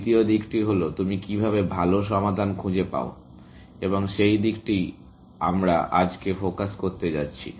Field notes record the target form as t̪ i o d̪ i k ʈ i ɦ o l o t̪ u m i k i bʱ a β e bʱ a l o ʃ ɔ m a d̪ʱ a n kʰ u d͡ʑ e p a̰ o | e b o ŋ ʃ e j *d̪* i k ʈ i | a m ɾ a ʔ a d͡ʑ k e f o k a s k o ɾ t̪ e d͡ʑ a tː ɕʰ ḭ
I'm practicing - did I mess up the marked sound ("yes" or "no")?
no